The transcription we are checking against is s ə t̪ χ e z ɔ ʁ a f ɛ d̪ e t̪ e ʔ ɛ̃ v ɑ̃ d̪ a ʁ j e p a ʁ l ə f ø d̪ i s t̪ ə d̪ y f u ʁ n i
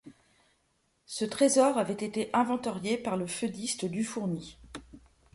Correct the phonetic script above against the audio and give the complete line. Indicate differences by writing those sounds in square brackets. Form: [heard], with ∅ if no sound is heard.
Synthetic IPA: s ə t̪ χ e z ɔ ʁ a [v] ɛ [t̪] e t̪ e ʔ ɛ̃ v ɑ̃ [t̪] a ʁ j e p a ʁ l ə f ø d̪ i s t̪ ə d̪ y f u ʁ n i